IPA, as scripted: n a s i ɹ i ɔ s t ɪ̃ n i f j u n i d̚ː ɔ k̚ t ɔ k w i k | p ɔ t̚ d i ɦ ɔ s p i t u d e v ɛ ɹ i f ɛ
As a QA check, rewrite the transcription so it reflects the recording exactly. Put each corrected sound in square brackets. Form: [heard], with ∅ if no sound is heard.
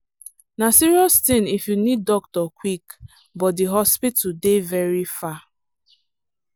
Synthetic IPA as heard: n a s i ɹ i ɔ s t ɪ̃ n i f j u n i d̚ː ɔ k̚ t ɔ k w i k | [b] ɔ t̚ d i ɦ ɔ s p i t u d e v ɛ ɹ i f [a]